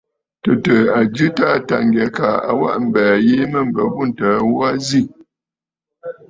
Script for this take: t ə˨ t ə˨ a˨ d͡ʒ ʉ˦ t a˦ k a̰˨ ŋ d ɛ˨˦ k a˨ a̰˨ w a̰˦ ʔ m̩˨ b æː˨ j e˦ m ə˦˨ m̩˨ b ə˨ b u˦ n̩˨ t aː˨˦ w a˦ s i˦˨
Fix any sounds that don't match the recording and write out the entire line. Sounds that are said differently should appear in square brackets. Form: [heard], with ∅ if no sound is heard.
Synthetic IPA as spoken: t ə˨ t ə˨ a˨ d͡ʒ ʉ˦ t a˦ [t] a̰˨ ŋ [ɡ] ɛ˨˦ k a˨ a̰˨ w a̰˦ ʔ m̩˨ b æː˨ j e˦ m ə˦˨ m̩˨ b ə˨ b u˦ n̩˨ t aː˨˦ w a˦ [z] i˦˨

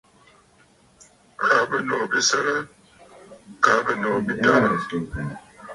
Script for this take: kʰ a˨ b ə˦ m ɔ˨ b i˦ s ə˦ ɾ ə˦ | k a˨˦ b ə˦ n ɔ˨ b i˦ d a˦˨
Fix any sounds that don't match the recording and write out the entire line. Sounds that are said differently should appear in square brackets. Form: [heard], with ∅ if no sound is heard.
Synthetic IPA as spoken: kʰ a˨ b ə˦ [n] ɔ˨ b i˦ s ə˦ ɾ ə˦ | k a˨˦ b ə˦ n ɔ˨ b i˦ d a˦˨

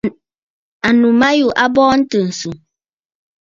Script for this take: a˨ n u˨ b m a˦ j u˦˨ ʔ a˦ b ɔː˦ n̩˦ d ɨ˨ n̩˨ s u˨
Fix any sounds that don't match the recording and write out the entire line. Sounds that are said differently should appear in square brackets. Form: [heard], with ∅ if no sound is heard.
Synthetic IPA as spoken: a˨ n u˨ [∅] m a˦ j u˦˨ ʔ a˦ b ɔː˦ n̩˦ [t] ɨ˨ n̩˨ s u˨

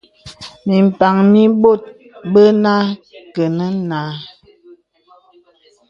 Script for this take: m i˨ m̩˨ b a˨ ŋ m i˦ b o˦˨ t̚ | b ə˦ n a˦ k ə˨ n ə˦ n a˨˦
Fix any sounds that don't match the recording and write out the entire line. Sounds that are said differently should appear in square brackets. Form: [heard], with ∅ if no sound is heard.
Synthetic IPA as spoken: m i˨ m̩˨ [p] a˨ ŋ m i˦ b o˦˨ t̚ | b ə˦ n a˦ k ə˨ n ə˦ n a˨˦

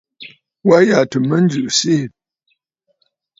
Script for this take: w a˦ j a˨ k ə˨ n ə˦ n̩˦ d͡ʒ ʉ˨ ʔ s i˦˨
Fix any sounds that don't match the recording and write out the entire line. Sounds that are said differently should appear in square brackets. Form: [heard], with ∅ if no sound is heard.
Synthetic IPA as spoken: w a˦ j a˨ [t] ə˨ [m] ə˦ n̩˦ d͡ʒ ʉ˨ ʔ s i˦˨

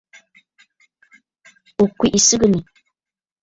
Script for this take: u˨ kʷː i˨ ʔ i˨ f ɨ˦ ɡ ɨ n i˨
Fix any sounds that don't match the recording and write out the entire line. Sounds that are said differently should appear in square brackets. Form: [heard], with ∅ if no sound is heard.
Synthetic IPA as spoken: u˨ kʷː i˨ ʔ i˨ [s] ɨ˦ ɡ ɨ n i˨

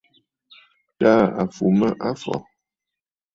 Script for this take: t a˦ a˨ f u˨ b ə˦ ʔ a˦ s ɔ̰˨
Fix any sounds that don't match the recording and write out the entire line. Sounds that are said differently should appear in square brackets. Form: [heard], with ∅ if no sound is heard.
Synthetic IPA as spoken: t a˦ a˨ f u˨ [m] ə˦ ʔ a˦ [f] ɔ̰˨

